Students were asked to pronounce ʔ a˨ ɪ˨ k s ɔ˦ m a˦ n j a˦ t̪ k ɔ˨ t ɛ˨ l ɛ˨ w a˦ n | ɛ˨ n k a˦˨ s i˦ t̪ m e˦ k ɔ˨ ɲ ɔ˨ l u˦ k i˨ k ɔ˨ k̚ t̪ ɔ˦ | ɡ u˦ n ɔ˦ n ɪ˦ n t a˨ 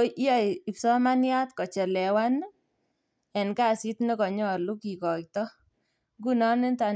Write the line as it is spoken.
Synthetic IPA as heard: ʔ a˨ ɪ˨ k s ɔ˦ m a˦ n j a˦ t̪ k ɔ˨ t͡ʃ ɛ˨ l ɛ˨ w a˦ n | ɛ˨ n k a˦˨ s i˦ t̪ n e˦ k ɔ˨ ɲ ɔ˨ l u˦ k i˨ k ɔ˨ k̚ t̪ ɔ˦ | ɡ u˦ n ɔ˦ n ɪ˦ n t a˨

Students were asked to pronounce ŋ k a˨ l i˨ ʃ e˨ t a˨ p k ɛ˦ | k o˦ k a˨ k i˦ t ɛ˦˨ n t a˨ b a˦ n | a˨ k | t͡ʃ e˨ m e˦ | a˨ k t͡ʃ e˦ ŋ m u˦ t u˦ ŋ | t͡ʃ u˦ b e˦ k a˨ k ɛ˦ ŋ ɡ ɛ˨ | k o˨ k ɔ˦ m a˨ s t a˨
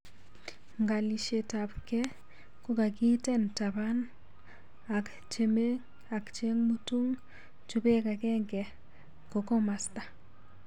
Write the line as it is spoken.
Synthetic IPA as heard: ŋ ɡ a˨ l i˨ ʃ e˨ t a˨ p k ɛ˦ | k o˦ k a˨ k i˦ t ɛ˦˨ n t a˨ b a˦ n | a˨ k | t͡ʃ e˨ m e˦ | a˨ k t͡ʃ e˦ ŋ m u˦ t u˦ ŋ | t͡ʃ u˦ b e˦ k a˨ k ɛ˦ ŋ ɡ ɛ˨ | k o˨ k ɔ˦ m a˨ s t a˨

